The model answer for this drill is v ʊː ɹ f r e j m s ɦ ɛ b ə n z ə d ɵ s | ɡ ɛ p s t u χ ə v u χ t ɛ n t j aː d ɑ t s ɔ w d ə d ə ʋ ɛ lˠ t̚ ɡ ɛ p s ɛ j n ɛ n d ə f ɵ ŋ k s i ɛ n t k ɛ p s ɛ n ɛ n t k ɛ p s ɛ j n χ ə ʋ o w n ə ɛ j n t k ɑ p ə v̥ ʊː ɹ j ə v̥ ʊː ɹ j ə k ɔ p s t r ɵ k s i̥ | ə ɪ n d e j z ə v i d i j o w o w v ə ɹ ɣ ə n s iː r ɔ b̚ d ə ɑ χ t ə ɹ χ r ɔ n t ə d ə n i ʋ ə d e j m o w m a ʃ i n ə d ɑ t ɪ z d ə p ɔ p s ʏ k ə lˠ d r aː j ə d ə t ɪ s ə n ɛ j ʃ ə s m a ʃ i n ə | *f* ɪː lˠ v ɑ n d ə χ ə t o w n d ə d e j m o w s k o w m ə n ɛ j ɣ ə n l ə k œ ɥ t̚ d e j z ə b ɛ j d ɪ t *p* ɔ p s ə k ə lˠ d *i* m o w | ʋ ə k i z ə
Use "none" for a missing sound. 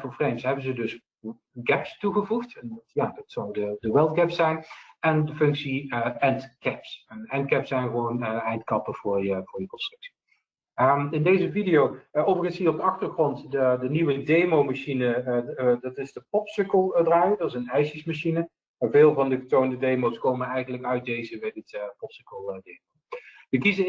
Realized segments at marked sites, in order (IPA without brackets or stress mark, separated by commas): v, p, e